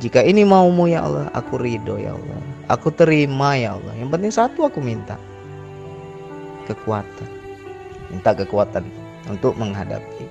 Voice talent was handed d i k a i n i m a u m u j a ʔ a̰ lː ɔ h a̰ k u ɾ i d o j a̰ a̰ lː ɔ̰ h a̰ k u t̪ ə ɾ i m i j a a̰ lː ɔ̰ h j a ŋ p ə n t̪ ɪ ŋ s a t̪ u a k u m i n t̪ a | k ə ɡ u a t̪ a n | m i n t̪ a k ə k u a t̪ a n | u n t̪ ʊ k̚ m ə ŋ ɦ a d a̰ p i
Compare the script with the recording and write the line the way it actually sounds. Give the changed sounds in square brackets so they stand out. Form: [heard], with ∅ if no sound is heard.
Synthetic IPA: [d͡ʒ] i k a i n i m a u m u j a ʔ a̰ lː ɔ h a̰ k u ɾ i d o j a̰ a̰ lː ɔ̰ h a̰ k u t̪ ə ɾ i m [a] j a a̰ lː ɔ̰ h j a ŋ p ə n t̪ ɪ ŋ s a t̪ u a k u m i n t̪ a | k ə [k] u a t̪ a n | m i n t̪ a k ə k u a t̪ a n | u n t̪ ʊ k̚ m ə ŋ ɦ a d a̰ p i